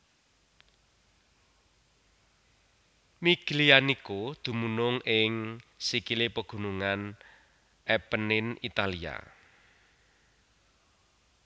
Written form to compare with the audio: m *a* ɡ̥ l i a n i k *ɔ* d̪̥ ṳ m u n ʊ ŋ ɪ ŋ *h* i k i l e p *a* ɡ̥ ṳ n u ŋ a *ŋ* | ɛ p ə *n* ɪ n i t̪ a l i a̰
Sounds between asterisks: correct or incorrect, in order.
incorrect, incorrect, incorrect, incorrect, incorrect, correct

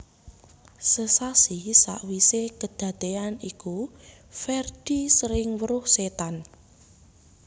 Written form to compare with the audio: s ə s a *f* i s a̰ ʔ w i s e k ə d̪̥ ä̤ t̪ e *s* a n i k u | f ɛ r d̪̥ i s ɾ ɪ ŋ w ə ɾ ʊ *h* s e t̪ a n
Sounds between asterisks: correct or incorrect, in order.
incorrect, incorrect, correct

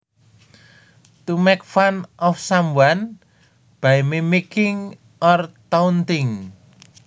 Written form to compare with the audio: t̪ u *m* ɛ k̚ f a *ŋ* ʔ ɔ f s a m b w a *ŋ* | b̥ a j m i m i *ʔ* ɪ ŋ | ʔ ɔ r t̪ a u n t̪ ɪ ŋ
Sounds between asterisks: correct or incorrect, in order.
correct, incorrect, incorrect, incorrect

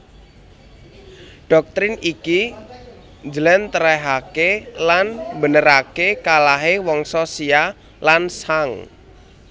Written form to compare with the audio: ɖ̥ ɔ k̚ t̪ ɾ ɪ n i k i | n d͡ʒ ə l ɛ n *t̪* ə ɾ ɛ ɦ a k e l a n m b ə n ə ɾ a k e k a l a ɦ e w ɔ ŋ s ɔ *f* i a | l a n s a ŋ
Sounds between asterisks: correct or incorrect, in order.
correct, incorrect

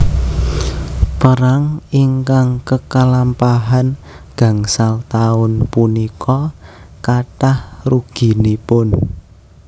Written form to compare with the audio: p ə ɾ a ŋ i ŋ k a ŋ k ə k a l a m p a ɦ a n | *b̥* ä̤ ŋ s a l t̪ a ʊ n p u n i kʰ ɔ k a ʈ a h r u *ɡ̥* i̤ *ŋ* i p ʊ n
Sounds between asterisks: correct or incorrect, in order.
incorrect, correct, incorrect

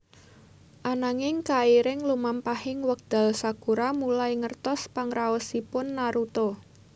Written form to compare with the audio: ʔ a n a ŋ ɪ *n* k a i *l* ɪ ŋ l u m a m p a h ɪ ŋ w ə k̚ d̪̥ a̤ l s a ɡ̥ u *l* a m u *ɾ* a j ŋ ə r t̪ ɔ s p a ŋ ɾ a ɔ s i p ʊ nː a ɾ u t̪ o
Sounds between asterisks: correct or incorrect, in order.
incorrect, incorrect, incorrect, incorrect

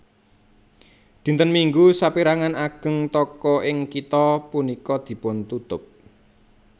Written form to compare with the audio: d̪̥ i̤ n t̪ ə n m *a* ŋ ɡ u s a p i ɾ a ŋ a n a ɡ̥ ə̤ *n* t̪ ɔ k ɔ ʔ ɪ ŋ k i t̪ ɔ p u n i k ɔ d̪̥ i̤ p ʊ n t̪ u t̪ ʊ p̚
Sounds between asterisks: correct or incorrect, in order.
incorrect, incorrect

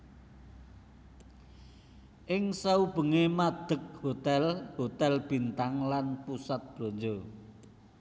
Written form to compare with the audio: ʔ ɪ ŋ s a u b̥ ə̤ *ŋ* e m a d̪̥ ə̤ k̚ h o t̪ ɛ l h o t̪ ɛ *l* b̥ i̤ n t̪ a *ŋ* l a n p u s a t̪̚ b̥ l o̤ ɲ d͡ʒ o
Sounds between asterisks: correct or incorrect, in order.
correct, correct, correct

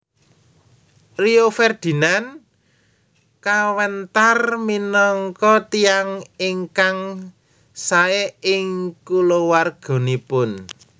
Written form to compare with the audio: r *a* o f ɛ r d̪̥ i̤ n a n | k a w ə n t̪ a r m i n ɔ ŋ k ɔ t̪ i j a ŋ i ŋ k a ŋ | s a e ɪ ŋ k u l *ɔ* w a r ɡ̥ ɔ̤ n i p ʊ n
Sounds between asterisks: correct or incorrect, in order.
incorrect, incorrect

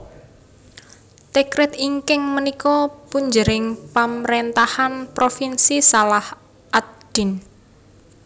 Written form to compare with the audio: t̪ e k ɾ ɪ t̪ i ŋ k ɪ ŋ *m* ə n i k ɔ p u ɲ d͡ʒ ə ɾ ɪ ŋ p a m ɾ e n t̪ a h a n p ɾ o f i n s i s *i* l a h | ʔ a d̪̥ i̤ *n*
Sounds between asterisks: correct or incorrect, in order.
correct, incorrect, correct

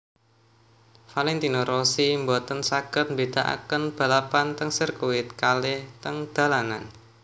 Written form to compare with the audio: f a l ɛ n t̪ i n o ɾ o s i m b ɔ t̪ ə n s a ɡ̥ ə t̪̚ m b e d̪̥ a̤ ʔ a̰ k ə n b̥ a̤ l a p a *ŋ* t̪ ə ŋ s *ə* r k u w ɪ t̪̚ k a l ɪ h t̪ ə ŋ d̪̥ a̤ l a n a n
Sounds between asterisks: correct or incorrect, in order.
incorrect, correct

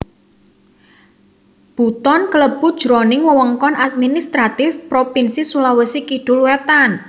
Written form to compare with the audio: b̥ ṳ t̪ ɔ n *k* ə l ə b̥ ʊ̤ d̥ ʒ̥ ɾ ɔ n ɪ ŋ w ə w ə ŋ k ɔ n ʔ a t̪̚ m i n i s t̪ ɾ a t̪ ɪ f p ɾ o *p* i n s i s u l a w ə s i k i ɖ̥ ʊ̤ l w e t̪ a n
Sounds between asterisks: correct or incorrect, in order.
correct, correct

